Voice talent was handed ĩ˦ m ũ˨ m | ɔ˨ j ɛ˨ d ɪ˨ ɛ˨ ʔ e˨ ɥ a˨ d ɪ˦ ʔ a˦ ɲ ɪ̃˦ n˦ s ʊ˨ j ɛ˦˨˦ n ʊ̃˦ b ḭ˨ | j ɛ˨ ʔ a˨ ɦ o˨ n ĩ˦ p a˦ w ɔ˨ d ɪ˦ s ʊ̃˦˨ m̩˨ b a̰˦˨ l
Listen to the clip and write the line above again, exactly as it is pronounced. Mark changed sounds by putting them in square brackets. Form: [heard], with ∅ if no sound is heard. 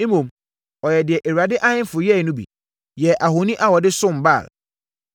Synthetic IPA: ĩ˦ m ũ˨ m | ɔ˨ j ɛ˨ d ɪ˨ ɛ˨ ʔ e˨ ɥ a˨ d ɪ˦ ʔ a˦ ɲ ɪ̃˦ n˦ [f] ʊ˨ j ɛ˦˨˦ n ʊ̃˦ b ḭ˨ | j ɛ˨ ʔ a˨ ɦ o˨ n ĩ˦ [ʔ] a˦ w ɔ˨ d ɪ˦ s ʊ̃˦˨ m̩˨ b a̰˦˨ l